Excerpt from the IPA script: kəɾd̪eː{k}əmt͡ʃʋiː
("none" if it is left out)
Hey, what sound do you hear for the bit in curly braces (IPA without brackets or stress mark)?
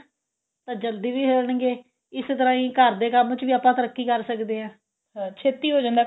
k